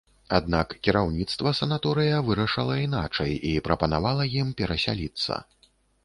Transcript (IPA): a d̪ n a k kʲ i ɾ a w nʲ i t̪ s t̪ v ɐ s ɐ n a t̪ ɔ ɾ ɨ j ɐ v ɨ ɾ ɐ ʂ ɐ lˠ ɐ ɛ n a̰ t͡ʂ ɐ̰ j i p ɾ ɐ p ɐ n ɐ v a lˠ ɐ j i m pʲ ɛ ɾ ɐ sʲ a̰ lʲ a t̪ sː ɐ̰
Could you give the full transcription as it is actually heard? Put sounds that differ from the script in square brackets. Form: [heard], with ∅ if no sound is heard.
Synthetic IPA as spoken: a d̪ n a k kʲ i ɾ a w nʲ i t̪ s t̪ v ɐ s ɐ n a t̪ ɔ ɾ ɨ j ɐ v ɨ ɾ ɐ ʂ ɐ lˠ ɐ [i] n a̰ t͡ʂ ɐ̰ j i p ɾ ɐ p ɐ n [a] v a lˠ ɐ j i m pʲ ɛ ɾ ɐ sʲ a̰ lʲ [i] t̪ sː ɐ̰